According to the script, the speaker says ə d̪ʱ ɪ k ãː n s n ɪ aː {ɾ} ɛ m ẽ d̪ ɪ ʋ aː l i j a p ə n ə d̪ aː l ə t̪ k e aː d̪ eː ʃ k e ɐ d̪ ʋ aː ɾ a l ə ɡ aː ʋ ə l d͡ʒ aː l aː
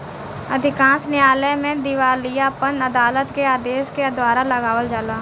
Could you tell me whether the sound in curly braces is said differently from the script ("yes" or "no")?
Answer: yes